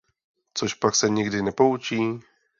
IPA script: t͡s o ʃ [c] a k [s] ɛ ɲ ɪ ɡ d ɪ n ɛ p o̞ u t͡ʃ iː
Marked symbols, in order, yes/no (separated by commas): no, yes